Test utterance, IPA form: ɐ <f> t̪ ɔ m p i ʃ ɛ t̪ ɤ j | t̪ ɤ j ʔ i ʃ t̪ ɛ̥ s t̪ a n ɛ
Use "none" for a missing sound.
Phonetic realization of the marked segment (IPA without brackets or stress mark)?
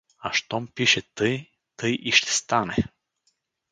ʃ